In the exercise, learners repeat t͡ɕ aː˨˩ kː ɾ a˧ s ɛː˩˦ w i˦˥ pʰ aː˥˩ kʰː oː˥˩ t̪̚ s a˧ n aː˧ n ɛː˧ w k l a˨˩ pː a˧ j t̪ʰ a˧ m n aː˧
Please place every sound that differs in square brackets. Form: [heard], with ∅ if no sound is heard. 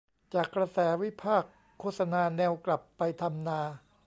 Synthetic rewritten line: t͡ɕ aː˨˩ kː ɾ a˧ s ɛː˩˦ w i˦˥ pʰ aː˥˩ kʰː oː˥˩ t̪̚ s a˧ n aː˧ n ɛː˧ w k l a˨˩ pː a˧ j t̪ʰ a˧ m n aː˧